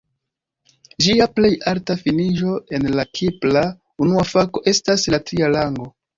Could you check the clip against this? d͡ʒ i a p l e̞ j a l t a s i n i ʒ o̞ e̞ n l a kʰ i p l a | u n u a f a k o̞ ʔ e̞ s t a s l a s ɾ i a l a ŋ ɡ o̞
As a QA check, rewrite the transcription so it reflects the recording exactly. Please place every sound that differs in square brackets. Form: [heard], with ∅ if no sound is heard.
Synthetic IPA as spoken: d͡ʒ i a p l e̞ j a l t a [f] i n i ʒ o̞ e̞ n l a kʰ i p l a | u n u a f a k o̞ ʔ e̞ s t a s l a [t] ɾ i a l a ŋ ɡ o̞